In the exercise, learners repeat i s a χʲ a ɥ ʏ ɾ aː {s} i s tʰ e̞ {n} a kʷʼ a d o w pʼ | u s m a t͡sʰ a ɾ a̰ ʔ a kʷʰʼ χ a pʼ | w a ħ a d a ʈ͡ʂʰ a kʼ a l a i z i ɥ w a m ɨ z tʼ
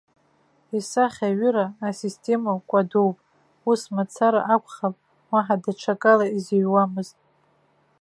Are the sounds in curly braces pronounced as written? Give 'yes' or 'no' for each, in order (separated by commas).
yes, no